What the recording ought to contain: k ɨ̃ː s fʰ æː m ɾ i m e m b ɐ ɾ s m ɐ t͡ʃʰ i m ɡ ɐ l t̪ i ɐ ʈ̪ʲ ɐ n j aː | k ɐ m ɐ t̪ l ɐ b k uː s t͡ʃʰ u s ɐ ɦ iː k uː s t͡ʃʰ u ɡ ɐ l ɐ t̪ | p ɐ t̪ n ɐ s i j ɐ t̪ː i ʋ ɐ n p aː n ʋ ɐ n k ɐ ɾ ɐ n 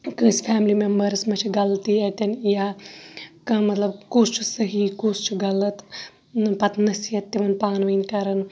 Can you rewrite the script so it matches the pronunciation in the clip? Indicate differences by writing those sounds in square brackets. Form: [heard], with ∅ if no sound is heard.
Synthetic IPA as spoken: k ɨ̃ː s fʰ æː m [l] i m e m b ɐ ɾ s m ɐ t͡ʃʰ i [∅] ɡ ɐ l t̪ i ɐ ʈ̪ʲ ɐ n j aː | k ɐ m ɐ t̪ l ɐ b k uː s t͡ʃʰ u s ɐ ɦ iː k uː s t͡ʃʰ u ɡ ɐ l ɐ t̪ | p ɐ t̪ n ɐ s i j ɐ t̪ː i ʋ ɐ n p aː n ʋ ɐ n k ɐ ɾ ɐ n